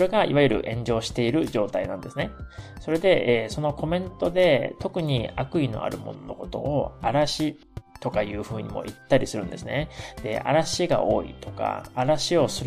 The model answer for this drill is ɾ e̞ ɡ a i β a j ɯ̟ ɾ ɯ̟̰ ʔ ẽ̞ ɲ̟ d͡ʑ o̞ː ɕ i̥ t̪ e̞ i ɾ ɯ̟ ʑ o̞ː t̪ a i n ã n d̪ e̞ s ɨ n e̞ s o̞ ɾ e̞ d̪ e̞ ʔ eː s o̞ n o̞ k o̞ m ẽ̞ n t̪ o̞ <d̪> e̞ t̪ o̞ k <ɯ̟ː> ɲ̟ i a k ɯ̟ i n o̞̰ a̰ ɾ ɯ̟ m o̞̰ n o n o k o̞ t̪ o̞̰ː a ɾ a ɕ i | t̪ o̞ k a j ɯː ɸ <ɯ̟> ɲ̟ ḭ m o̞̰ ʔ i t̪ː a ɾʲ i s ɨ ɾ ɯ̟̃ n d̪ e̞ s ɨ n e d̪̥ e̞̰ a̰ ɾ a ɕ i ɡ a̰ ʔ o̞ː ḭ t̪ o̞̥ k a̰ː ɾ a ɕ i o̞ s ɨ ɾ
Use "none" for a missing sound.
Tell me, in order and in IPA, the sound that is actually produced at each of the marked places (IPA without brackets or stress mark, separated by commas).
d̪, ɯ̟, ɯ̟ː